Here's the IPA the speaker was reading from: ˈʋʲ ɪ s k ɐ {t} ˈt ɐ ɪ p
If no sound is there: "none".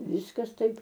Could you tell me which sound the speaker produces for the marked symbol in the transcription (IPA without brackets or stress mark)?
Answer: s